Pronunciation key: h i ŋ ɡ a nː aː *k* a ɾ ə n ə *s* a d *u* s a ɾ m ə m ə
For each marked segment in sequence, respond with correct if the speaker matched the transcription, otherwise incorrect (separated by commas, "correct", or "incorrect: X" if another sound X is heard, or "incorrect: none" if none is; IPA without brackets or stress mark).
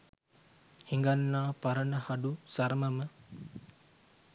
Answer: incorrect: p, incorrect: h, correct